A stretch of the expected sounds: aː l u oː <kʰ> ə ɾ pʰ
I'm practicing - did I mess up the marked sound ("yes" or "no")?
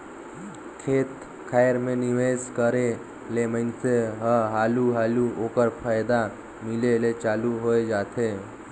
yes